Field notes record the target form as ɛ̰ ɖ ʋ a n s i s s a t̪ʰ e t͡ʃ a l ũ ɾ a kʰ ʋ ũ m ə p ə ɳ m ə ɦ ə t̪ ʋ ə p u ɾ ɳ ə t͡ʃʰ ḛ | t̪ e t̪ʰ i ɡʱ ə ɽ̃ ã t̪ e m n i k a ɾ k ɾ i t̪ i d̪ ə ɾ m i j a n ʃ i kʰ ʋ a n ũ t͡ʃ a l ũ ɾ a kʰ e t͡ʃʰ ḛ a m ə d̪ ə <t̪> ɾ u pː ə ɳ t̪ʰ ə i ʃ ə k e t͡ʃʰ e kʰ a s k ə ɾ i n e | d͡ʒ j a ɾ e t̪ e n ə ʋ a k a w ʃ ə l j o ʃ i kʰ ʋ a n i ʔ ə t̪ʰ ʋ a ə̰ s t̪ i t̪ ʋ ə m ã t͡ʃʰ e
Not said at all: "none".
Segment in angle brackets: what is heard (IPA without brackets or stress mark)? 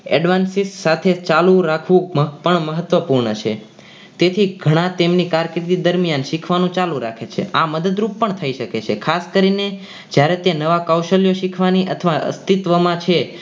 d̪